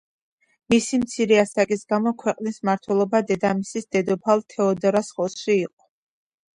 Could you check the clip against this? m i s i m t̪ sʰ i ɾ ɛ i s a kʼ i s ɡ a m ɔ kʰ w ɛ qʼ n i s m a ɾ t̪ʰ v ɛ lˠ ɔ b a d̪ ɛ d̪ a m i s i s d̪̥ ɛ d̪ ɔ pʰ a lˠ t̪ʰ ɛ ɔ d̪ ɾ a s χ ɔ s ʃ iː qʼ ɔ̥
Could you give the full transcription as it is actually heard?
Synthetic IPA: m i s i m t̪ sʰ i ɾ ɛ a s a kʼ i s ɡ a m ɔ kʰ w ɛ qʼ n i s m a ɾ t̪ʰ w ɛ lˠ ɔ b a d̪ ɛ d̪ a m i s i s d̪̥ ɛ d̪ ɔ pʰ a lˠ t̪ʰ ɛ ɔ d̪ ɾ a s χ ɔ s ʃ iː qʼ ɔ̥